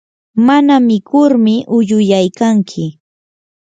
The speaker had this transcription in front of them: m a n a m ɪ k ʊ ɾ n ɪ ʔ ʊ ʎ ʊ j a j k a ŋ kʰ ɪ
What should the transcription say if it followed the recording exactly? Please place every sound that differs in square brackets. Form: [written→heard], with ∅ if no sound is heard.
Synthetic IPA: m a n a m ɪ k ʊ ɾ [n→m] ɪ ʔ ʊ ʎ ʊ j a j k a ŋ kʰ ɪ

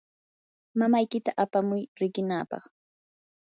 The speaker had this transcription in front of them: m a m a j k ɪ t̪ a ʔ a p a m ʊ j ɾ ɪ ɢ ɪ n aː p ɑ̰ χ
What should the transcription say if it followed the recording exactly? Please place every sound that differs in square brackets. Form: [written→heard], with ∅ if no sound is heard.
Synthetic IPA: m a m a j k ɪ t̪ a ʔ a p a m ʊ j ɾ ɪ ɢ ɪ n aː p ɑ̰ χ

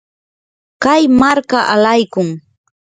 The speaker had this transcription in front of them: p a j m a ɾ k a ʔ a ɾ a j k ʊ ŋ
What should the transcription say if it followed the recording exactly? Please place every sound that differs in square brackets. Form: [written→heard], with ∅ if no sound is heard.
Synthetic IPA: [p→k] a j m a ɾ k a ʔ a [ɾ→l] a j k ʊ ŋ

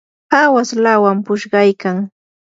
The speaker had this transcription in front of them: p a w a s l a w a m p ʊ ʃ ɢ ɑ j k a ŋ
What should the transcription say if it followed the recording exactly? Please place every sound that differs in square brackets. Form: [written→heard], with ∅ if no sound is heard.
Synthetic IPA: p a w a s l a w a m p ʊ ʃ ɢ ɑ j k a ŋ

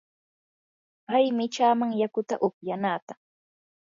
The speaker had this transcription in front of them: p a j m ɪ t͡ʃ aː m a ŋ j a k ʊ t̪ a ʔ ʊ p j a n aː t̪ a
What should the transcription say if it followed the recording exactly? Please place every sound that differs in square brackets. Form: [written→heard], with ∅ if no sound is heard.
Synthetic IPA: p a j m ɪ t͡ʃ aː m a ŋ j a k ʊ t̪ a ʔ ʊ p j a n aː t̪ a

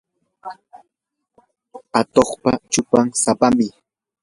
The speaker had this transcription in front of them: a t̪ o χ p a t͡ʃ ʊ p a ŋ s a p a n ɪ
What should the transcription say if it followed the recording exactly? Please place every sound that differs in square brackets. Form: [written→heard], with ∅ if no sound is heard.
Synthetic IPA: a t̪ o χ p a t͡ʃ ʊ p a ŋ s a p a [n→m] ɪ

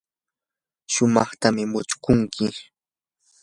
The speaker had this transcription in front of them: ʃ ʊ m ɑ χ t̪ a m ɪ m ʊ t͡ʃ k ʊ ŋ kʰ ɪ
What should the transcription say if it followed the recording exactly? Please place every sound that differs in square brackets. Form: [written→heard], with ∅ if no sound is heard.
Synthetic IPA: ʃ ʊ m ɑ χ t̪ a m ɪ m ʊ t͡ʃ k ʊ ŋ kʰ ɪ

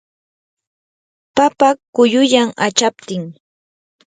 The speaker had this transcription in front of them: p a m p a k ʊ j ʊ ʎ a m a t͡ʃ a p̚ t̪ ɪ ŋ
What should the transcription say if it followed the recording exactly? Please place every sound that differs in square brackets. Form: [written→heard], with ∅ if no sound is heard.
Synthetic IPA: p a [m→∅] p a k ʊ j ʊ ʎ a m a t͡ʃ a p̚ t̪ ɪ ŋ

